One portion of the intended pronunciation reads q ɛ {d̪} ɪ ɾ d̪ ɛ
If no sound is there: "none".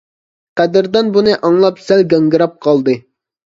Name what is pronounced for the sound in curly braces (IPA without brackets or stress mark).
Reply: d̪